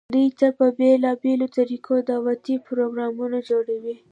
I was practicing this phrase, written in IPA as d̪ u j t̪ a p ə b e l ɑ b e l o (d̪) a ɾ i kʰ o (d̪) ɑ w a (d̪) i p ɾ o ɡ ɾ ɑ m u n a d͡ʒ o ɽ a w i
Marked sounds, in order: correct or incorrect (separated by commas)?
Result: incorrect, correct, incorrect